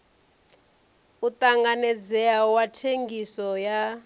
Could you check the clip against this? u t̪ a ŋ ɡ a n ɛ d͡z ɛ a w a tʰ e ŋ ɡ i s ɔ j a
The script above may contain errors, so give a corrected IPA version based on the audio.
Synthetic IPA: u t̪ a ŋ ɡ a n ɛ d͡z ɛ a w a tʰ e ŋ ɡ i s ɔ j a